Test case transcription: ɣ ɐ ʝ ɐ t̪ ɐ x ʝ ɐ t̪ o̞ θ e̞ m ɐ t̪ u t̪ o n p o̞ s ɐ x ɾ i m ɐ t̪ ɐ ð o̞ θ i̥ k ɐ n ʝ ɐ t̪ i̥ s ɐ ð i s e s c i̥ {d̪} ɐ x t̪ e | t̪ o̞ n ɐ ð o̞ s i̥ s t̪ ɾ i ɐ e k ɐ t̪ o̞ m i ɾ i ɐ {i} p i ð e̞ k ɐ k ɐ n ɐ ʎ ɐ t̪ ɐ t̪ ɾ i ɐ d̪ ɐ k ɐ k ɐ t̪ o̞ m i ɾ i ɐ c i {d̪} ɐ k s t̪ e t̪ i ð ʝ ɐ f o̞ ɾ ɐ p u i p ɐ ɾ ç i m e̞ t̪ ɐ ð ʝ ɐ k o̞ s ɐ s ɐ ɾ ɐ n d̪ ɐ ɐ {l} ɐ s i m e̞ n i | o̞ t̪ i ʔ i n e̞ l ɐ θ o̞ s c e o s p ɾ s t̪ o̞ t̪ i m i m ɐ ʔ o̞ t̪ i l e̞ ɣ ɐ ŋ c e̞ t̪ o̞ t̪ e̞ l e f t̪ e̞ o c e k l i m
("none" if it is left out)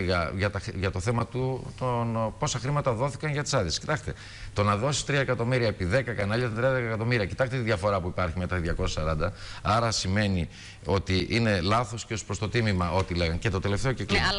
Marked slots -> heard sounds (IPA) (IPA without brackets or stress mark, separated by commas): t̪, e, t̪, ɾ